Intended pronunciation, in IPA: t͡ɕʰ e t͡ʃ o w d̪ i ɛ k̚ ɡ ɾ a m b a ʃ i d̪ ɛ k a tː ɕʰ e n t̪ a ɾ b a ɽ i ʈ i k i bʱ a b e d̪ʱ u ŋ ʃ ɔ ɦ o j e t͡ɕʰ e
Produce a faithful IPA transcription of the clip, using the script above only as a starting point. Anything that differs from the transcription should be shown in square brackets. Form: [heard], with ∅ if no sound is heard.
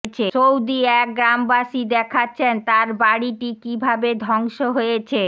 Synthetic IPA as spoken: t͡ɕʰ e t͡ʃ o w d̪ i ɛ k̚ ɡ ɾ a m b a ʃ i d̪ ɛ [kʰ] a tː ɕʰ e n t̪ a ɾ b a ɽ i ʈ i k i bʱ a b e d̪ʱ [ɔ] ŋ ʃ [o] ɦ o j e t͡ɕʰ e